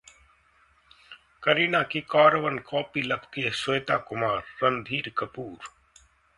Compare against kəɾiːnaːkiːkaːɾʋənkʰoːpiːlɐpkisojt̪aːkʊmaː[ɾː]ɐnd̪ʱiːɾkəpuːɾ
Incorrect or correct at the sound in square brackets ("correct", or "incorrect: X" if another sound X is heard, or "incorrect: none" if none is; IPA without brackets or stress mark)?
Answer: correct